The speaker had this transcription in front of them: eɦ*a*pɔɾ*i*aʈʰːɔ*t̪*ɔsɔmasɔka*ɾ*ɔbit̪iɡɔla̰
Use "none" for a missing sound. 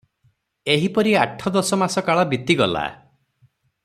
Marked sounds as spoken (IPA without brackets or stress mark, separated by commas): i, i, d̪, ɭ